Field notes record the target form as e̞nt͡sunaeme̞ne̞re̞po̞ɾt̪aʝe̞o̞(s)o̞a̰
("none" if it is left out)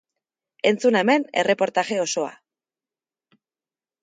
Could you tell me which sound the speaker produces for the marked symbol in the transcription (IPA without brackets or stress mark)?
s